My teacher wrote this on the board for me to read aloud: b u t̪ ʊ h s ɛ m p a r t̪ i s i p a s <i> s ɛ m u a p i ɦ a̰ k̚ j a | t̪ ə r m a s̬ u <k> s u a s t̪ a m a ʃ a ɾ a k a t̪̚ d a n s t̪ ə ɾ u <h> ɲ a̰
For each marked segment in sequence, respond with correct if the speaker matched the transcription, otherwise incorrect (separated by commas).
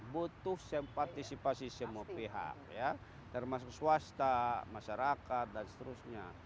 correct, correct, incorrect